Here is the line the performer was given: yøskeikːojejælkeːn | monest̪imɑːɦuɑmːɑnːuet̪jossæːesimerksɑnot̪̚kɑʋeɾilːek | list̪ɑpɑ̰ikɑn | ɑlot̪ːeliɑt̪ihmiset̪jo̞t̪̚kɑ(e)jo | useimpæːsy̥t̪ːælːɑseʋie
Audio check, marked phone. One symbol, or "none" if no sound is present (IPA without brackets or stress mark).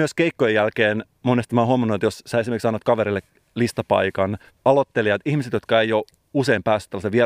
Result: e